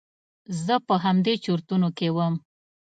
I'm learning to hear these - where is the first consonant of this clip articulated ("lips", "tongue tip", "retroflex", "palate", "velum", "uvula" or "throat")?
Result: tongue tip